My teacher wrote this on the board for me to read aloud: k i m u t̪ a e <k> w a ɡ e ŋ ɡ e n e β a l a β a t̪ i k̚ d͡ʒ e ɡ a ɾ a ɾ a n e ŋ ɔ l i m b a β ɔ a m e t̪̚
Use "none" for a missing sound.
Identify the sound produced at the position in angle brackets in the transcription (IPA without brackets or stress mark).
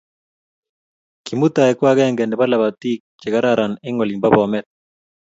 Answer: k